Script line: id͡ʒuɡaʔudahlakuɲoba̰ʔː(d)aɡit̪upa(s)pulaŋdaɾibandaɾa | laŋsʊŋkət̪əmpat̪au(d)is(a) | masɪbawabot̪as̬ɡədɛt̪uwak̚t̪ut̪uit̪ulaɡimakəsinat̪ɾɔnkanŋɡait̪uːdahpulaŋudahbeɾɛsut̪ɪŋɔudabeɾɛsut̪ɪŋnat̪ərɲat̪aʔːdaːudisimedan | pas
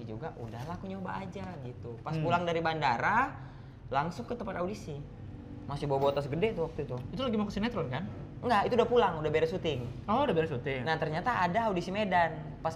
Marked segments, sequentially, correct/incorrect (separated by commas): incorrect, correct, correct, incorrect